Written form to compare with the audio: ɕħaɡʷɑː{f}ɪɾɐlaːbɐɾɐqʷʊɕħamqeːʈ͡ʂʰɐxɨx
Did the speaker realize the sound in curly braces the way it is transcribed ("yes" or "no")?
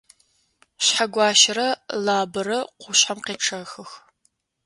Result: no